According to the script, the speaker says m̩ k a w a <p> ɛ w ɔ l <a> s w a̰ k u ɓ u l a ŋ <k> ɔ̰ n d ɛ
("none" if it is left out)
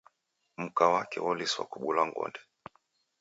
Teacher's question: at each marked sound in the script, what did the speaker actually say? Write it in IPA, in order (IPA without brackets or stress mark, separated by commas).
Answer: k, i, ɡ